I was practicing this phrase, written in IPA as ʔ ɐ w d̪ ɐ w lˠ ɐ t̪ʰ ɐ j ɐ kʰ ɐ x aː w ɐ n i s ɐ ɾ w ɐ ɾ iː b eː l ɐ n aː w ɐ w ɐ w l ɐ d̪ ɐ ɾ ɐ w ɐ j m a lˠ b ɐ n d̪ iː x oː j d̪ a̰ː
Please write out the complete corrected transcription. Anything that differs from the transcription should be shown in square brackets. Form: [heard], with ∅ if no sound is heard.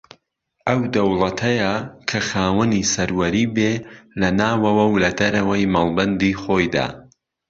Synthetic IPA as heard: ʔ ɐ w d̪ ɐ w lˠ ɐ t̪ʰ ɐ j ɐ kʰ ɐ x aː w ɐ n i s ɐ ɾ w ɐ ɾ iː b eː l ɐ n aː w ɐ w ɐ w l ɐ d̪ ɐ ɾ ɐ w ɐ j m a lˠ b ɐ n d̪ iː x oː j d̪ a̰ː

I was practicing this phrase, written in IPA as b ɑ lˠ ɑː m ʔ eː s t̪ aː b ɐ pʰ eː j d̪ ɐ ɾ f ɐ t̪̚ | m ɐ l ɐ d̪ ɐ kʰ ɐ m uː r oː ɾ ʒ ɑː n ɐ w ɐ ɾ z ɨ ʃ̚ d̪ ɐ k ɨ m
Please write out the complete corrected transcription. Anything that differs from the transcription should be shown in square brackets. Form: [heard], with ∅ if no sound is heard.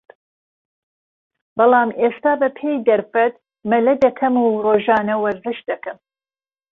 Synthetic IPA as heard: b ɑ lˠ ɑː m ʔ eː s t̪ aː b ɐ pʰ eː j d̪ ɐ ɾ f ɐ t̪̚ | m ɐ l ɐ d̪ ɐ kʰ ɐ m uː r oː [∅] ʒ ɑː n ɐ w ɐ ɾ z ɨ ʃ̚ d̪ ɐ k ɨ m

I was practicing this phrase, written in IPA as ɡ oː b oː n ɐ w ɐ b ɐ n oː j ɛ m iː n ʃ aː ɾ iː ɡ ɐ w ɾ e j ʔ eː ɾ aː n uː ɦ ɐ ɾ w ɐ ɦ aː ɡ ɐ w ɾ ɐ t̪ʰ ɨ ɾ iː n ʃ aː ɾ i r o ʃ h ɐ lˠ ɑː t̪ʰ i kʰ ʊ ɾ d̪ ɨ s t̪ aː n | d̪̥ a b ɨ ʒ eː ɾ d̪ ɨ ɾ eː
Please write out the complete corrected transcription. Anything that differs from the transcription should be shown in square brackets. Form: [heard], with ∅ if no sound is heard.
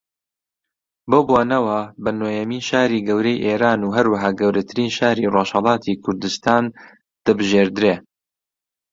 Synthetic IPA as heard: [b] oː b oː n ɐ w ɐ b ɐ n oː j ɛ m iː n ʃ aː ɾ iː ɡ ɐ w ɾ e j ʔ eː ɾ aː n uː ɦ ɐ ɾ w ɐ ɦ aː ɡ ɐ w ɾ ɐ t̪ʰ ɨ ɾ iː n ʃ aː ɾ i r o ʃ h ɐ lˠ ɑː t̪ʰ i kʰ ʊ ɾ d̪ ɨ s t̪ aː n | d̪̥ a b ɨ ʒ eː ɾ d̪ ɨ ɾ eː

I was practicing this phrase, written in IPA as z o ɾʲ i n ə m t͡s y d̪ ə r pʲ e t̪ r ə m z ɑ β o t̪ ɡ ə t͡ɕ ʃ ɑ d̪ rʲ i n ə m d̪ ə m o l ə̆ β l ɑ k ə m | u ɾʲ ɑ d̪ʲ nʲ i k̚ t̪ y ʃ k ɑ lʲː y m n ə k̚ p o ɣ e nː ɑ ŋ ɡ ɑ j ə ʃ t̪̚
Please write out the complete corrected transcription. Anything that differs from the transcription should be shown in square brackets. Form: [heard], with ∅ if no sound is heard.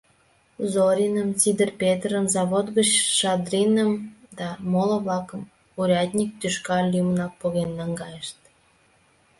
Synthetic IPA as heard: z o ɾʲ i n ə m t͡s [i] d̪ ə r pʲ e t̪ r ə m z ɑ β o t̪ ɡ ə t͡ɕ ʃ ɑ d̪ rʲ i n ə m d̪ [ɑ] m o l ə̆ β l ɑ k ə m | u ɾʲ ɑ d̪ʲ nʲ i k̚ t̪ y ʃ k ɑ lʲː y m n [ɑ] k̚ p o ɣ e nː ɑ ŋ ɡ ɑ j ə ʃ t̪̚

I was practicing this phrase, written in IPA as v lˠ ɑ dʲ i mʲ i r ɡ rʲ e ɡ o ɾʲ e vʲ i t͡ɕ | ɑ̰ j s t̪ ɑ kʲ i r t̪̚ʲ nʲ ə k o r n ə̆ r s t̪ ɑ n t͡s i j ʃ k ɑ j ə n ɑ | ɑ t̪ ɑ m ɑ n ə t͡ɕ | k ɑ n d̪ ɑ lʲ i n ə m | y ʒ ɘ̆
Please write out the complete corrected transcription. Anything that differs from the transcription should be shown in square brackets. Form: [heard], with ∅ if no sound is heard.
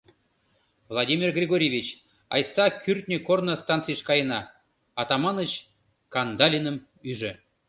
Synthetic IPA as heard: v lˠ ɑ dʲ i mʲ i r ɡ rʲ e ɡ o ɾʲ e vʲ i t͡ɕ | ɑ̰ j s t̪ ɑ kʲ [y] r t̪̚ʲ nʲ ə k o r n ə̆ [∅] s t̪ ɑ n t͡s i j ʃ k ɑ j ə n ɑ | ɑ t̪ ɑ m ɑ n ə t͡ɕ | k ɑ n d̪ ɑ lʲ i n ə m | y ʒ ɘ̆

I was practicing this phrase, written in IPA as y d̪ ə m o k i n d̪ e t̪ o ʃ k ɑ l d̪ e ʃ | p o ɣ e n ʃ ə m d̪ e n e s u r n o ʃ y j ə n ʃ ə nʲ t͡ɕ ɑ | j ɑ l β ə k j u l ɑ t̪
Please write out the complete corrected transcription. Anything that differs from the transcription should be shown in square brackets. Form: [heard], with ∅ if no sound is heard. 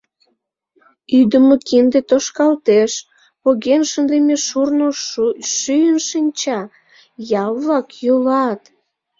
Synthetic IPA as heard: y d̪ ə m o k i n d̪ e t̪ o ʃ k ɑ l [t̪] e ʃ | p o ɣ e n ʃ ə [n] d̪ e [m] e [ʃ] u r n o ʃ y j ə n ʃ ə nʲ t͡ɕ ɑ | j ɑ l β [ɑ] k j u l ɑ t̪

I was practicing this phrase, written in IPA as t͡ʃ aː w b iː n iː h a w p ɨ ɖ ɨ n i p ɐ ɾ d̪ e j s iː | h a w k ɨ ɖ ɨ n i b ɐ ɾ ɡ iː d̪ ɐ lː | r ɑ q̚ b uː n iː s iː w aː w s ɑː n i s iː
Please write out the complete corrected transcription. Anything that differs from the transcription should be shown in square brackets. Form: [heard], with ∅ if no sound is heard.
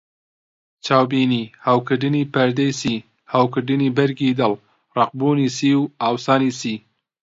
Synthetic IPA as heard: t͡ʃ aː w b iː n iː h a w [k] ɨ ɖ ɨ n i p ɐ ɾ d̪ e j s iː | h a w k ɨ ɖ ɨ n i b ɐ ɾ ɡ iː d̪ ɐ [l] | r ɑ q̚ b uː n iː s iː w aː w s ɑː n i s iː

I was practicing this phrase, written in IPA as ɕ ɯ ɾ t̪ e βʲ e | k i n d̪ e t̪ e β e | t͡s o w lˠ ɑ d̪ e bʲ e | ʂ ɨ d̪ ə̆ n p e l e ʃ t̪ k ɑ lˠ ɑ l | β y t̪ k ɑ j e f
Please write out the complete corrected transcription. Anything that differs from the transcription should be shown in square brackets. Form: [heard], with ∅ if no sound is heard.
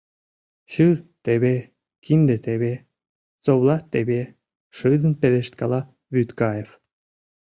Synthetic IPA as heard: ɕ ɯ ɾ t̪ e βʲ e | k i n d̪ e t̪ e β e | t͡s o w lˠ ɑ [t̪] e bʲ e | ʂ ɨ d̪ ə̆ n p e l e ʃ t̪ k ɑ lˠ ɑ [∅] | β y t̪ k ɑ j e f

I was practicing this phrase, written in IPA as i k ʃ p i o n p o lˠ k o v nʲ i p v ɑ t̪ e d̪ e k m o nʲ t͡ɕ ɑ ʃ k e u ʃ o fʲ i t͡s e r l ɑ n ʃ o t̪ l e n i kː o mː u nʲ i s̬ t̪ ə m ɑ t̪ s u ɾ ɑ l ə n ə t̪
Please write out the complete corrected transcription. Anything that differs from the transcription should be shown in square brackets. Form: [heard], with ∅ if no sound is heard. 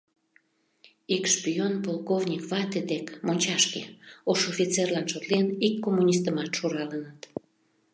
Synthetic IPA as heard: i k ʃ p i o n p o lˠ k o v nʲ i [k] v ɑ t̪ e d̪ e k m o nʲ t͡ɕ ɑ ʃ k e [o] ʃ o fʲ i t͡s e r l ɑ n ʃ o t̪ l e n i kː o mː u nʲ i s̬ t̪ ə m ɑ t̪ [ʃ] u ɾ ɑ l ə n ə t̪

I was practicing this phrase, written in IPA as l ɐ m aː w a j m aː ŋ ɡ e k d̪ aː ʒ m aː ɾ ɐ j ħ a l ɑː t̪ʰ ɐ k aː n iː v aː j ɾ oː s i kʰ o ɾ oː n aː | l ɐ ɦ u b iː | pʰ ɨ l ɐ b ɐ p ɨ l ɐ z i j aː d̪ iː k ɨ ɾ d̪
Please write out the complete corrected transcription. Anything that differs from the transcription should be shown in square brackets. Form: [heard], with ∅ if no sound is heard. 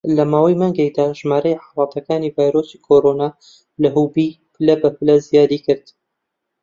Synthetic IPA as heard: l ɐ m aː w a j m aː ŋ ɡ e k d̪ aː ʒ m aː ɾ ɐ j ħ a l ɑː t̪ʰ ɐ k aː n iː v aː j ɾ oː s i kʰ o ɾ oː n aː | l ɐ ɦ u b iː | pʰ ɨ l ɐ b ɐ p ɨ l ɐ z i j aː d̪ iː k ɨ ɾ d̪

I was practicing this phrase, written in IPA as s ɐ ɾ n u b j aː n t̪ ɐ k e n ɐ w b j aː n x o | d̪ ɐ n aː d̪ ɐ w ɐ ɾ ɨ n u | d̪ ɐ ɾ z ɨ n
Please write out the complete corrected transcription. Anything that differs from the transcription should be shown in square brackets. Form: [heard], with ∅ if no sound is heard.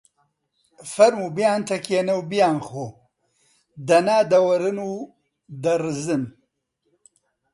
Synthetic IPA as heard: [f] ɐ ɾ [m] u b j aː n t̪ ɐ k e n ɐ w b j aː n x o | d̪ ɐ n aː d̪ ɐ w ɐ ɾ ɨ n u | d̪ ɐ ɾ z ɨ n

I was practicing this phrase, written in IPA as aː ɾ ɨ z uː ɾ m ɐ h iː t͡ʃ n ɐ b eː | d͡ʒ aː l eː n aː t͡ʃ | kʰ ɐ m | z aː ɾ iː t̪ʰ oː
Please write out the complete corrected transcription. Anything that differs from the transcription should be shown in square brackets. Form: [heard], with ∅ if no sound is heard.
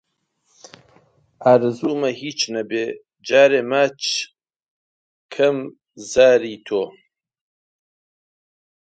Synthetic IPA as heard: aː ɾ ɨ z uː [∅] m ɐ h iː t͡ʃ n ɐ b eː | d͡ʒ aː [ɾ] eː [m] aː t͡ʃ | kʰ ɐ m | z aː ɾ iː t̪ʰ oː

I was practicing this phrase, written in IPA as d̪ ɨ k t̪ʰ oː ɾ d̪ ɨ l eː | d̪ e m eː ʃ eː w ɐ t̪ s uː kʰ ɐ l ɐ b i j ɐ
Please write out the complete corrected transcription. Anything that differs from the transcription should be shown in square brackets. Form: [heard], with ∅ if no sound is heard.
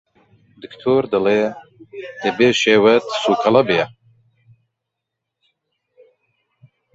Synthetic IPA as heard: d̪ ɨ k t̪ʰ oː ɾ d̪ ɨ l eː | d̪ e [b] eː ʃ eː w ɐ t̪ s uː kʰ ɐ l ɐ b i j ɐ

